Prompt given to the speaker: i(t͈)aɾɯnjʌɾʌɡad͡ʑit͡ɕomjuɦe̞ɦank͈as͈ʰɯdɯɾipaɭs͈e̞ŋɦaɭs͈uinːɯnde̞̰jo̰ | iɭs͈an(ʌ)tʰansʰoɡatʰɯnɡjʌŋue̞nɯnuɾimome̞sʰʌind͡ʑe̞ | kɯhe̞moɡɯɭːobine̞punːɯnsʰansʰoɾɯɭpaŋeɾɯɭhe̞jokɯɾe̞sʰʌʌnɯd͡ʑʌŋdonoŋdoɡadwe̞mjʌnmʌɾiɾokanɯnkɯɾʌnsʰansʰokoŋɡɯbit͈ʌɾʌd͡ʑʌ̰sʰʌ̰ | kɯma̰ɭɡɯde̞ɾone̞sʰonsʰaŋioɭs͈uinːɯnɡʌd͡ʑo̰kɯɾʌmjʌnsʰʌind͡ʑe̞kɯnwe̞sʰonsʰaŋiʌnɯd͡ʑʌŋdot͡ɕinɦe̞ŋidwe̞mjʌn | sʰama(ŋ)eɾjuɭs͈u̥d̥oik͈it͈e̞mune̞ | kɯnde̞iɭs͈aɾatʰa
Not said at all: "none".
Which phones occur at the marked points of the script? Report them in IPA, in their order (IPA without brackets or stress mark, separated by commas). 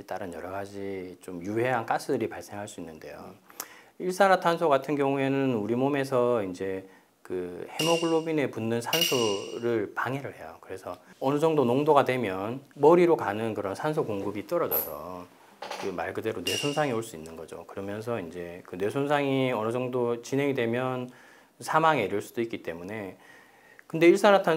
t͈, a, ŋ